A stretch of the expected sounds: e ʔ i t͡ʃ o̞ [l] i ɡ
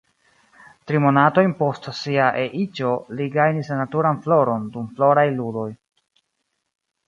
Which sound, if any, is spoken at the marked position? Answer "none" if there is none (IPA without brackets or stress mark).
l